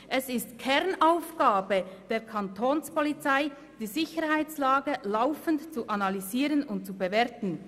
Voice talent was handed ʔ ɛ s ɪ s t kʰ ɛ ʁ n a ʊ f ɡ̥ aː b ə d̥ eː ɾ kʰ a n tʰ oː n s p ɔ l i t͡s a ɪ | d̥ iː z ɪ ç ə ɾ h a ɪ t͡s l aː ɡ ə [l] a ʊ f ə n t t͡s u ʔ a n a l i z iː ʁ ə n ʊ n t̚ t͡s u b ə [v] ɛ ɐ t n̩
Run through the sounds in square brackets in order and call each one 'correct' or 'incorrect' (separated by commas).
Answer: correct, correct